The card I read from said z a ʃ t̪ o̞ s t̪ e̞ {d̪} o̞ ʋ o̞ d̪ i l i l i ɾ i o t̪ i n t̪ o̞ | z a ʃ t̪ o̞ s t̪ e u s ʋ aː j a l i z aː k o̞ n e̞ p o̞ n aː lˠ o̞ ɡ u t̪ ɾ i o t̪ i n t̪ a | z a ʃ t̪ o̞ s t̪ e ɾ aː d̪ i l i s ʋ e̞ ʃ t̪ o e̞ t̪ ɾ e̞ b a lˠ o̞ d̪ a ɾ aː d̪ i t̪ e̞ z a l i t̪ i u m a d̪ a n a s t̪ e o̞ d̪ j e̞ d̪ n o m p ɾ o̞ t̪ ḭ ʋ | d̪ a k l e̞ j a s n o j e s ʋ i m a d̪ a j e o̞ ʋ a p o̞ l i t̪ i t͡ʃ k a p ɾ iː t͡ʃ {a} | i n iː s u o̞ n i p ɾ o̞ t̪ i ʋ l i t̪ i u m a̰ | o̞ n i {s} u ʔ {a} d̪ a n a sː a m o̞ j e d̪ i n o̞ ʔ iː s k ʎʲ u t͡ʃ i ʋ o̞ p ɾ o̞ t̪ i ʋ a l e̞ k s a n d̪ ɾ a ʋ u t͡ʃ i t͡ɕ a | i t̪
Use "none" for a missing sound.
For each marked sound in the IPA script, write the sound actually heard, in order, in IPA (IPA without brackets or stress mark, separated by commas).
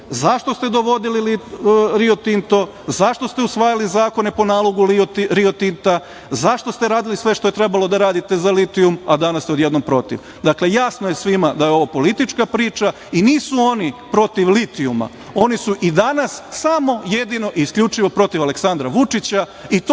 d̪, a, s, i